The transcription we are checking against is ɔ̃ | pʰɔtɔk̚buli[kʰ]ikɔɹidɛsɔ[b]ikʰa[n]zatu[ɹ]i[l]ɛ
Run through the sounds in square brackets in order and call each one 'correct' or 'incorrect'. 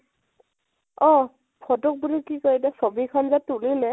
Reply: incorrect: k, correct, correct, incorrect: l, correct

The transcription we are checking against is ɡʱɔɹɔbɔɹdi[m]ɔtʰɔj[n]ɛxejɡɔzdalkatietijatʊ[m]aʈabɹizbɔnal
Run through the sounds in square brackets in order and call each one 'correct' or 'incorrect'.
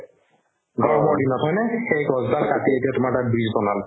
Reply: incorrect: n, correct, correct

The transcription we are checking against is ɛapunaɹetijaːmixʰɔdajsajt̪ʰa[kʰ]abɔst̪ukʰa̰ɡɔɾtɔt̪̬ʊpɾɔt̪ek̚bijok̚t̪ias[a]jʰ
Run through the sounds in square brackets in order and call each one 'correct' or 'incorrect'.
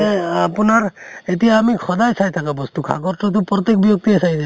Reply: incorrect: k, correct

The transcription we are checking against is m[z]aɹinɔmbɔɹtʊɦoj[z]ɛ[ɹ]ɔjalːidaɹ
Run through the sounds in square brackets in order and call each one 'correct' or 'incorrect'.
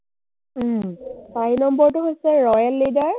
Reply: incorrect: s, incorrect: s, correct

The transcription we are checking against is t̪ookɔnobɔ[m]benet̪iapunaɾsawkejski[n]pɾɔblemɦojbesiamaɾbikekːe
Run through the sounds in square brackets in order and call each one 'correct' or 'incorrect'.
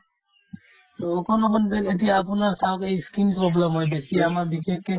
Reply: incorrect: n, correct

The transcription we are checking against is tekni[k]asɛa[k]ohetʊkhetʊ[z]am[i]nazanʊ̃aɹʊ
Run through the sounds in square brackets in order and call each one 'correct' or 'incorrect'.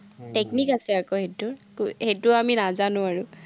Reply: correct, correct, incorrect: none, correct

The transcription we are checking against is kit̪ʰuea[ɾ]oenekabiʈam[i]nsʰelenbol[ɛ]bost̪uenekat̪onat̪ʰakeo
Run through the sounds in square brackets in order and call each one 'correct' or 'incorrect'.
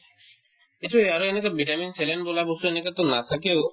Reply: correct, correct, incorrect: a

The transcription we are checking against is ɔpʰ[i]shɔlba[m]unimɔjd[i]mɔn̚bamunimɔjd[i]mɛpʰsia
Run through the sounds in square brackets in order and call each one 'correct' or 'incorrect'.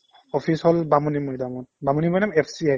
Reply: correct, correct, incorrect: a, incorrect: a

